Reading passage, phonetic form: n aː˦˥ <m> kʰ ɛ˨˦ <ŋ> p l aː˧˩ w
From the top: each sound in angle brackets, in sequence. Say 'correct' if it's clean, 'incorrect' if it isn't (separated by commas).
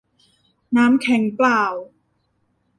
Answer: correct, correct